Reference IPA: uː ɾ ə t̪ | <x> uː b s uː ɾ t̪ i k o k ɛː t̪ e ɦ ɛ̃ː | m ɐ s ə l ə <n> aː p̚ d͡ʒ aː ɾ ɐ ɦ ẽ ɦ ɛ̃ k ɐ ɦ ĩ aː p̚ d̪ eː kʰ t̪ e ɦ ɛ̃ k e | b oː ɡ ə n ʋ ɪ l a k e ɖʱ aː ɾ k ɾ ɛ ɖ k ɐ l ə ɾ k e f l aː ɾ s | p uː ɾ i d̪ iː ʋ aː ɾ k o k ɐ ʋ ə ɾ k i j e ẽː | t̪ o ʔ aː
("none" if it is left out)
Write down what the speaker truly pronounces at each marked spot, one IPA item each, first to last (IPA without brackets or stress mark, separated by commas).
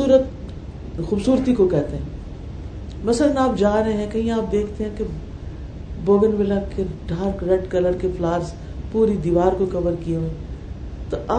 x, n